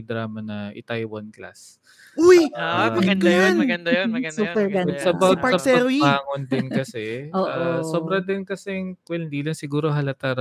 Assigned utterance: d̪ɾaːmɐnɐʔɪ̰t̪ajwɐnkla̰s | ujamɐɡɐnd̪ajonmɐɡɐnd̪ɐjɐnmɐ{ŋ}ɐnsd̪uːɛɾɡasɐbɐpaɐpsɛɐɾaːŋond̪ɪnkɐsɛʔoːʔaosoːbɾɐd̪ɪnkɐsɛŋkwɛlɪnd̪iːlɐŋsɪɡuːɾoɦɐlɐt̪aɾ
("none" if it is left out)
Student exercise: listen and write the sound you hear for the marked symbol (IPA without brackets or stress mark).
ɡ